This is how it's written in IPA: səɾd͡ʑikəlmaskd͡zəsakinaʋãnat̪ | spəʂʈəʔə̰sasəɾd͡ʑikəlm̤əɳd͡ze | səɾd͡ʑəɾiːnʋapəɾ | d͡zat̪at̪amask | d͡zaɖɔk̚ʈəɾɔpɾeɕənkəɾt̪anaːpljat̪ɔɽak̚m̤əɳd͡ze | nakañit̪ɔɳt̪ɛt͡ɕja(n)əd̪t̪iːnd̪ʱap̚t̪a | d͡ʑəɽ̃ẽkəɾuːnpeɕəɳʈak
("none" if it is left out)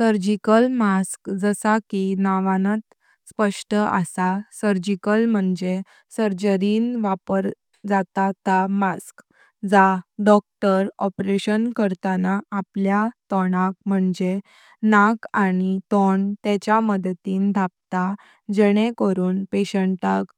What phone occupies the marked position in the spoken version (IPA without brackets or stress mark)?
m